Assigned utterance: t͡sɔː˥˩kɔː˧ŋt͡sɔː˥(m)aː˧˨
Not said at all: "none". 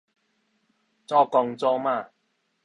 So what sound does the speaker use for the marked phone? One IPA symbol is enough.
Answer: m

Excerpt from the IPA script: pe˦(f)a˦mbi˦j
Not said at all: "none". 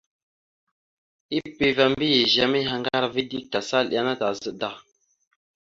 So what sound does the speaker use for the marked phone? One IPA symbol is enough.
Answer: v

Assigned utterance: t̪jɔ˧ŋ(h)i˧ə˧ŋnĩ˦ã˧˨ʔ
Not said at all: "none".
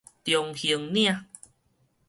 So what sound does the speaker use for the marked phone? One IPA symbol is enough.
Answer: h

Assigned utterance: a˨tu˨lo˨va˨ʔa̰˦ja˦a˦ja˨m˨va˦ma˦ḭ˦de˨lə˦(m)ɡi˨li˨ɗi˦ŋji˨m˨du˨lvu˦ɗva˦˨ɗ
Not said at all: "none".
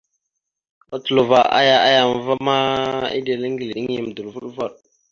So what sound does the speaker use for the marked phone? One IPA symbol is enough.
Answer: ŋ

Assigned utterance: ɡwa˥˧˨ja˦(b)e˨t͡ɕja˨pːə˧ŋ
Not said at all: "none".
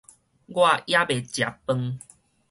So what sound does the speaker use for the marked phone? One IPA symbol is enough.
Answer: b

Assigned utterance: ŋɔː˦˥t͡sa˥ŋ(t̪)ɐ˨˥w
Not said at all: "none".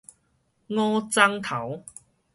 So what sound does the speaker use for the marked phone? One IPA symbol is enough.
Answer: t̪ʰ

